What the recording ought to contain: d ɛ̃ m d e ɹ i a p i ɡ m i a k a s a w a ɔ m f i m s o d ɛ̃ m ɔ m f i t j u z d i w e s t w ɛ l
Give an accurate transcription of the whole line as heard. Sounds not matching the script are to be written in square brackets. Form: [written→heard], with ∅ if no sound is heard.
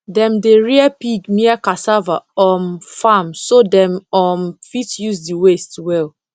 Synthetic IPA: d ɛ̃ m d e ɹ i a p i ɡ m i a k a s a [w→v] a ɔ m f [i→a] m s o d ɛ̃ m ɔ m f i t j u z d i w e s t w ɛ l

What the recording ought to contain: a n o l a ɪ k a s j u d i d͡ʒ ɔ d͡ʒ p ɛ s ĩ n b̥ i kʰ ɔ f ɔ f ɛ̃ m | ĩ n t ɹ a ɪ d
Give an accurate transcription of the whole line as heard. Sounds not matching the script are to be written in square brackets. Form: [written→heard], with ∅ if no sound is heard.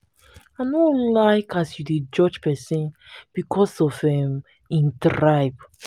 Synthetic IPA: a n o l a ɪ k a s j u d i d͡ʒ ɔ d͡ʒ p ɛ s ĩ n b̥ i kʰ ɔ [f→s] ɔ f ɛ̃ m | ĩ n t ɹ a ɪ [d→b]

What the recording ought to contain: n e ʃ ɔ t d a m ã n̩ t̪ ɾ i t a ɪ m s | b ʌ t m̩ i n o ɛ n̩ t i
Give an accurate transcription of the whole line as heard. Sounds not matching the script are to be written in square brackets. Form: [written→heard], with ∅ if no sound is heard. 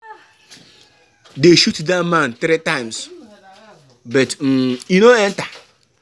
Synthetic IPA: [n→d] e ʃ [ɔ→u] t d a m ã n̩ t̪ ɾ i t a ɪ m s | b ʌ t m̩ i n o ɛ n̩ t [i→a]

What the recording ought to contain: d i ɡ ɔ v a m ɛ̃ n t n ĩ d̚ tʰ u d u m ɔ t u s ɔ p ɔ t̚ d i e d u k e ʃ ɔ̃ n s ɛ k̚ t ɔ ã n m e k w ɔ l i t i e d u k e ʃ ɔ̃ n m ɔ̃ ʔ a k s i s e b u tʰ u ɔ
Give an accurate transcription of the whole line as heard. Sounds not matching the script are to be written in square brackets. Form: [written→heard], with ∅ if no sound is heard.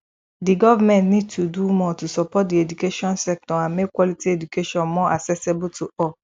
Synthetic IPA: d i ɡ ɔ v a m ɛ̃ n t n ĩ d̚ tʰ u d u m ɔ t u s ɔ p ɔ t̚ d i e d u k e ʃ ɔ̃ n s ɛ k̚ t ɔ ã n m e k w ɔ l i t i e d u k e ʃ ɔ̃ n m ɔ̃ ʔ a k s [i→ɛ] s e b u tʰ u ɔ

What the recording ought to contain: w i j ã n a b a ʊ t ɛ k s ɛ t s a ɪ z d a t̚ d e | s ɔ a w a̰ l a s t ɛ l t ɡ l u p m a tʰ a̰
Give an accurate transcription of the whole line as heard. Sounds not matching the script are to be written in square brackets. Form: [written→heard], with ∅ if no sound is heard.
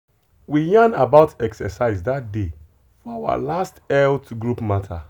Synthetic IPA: w i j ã n a b a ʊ t ɛ k s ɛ [t→∅] s a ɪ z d a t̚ d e | [s→f] ɔ a w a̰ l a s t ɛ l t ɡ [l→ɹ] u p m a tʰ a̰

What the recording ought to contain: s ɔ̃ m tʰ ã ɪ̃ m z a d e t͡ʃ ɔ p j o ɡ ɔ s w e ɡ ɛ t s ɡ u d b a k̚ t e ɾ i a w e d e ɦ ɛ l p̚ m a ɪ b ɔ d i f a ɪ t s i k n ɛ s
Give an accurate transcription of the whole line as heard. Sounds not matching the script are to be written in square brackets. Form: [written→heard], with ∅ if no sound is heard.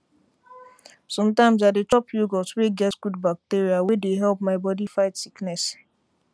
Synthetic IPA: s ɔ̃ m [tʰ→t] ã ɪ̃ m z a d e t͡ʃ ɔ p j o ɡ ɔ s w e ɡ ɛ t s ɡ u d b a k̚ t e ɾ i a w e d e ɦ ɛ l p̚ m a ɪ b ɔ d i f a ɪ t s i k n ɛ s

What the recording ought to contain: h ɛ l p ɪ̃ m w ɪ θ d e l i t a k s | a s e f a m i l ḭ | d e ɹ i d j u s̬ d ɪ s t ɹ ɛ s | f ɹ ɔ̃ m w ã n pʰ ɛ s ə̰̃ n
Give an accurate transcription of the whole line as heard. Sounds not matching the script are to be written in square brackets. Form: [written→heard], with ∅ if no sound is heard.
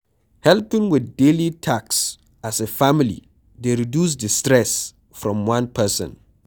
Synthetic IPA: h ɛ l p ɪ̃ [m→ŋ] w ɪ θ d e l i [t→tʰ] a k s | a s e f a m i l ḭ | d e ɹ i d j u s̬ d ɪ s t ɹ ɛ s | f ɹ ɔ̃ m w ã n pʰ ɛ s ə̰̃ n

